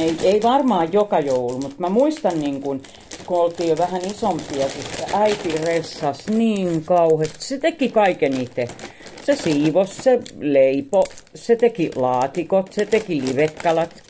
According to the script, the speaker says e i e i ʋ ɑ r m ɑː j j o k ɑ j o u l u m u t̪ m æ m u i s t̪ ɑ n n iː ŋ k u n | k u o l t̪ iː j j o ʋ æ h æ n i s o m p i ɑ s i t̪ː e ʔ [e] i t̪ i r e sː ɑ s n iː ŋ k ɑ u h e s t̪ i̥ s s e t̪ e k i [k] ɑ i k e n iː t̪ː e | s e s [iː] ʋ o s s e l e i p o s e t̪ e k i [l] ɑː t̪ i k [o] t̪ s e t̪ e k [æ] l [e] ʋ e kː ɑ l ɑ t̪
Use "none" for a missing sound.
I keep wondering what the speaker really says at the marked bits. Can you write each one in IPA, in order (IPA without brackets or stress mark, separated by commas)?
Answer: æ, k, iː, l, o, i, i